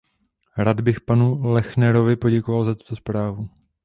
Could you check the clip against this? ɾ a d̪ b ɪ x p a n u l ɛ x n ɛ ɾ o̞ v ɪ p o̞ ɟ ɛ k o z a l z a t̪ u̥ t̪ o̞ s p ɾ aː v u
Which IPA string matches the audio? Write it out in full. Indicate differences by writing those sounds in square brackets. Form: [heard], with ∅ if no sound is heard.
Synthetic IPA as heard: ɾ a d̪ b ɪ x p a n u l ɛ x n ɛ ɾ o̞ v ɪ p o̞ ɟ ɛ k o [v] a l z a t̪ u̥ t̪ o̞ s p ɾ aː v u